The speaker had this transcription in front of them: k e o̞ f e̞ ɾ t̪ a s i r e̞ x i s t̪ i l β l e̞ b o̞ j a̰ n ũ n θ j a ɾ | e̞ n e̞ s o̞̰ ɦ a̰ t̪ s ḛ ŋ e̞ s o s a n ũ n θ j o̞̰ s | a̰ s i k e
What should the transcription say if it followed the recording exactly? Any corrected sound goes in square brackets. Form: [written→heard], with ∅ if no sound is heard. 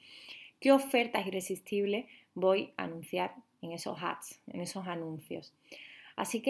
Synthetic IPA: k e o̞ f e̞ ɾ t̪ a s i r e̞ [x→s] i s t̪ i [l→∅] β l e̞ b o̞ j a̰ n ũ n θ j a ɾ | e̞ [n→ŋ] e̞ s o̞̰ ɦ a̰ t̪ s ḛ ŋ e̞ s o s a n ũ n θ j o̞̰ s | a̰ s i k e